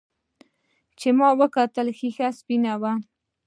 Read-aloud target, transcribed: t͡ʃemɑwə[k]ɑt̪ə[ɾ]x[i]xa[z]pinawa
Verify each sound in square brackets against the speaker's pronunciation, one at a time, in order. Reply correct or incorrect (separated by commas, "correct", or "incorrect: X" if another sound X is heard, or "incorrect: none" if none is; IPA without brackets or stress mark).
correct, incorrect: l, correct, incorrect: s